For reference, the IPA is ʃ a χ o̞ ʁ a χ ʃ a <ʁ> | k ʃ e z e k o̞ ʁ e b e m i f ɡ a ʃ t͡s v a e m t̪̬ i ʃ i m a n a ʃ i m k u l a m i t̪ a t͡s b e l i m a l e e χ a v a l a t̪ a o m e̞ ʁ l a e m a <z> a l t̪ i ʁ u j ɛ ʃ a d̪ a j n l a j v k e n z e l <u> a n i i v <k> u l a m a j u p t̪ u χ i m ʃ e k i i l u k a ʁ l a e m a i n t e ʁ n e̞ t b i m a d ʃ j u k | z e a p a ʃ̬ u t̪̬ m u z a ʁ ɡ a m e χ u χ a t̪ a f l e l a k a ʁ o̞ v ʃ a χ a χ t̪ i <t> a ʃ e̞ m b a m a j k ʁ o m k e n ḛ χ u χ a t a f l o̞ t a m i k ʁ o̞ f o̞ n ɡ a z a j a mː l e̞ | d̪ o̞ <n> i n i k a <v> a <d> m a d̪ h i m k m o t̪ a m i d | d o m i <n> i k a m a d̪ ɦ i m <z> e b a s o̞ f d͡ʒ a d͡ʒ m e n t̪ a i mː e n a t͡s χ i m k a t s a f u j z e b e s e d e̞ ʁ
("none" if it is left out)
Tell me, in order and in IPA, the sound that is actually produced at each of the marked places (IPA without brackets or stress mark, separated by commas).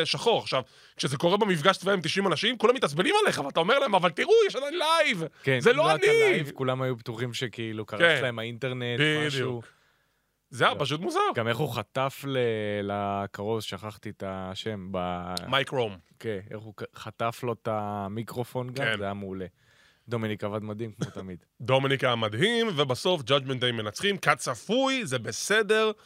v, v, o, k, t, m, v, d, n, v